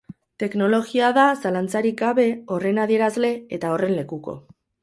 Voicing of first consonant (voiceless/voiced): voiceless